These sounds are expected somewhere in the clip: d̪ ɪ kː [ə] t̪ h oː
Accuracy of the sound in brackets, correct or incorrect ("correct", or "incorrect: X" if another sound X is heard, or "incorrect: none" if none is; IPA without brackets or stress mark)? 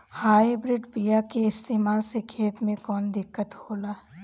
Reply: correct